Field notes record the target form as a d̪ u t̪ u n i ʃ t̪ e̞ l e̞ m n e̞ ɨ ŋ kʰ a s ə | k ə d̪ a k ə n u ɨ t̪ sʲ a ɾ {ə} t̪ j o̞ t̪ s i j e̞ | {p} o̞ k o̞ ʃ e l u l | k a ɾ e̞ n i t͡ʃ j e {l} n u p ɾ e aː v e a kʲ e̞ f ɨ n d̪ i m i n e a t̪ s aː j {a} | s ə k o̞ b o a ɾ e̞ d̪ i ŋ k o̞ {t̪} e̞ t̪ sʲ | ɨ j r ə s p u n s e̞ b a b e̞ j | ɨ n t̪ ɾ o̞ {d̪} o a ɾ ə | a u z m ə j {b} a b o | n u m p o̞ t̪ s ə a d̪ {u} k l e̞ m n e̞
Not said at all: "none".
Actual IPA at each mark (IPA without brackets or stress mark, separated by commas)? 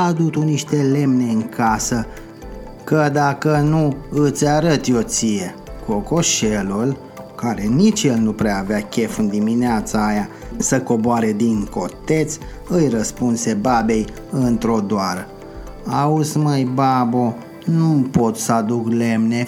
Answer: ə, k, l, a, t̪, d̪, b, u